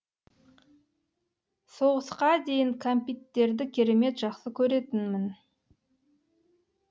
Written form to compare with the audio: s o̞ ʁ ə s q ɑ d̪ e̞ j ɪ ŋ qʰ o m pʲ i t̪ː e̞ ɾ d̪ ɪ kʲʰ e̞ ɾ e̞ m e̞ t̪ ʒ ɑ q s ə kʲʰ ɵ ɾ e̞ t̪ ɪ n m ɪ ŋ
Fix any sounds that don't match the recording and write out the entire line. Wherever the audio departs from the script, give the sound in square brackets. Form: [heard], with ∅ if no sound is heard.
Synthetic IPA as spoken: s o̞ ʁ ə s q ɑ d̪ e̞ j ɪ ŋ [kʰ] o m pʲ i t̪ː e̞ ɾ d̪ ɪ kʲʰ e̞ ɾ e̞ m e̞ t̪ ʒ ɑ q s ə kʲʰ ɵ ɾ e̞ t̪ ɪ n m ɪ [n]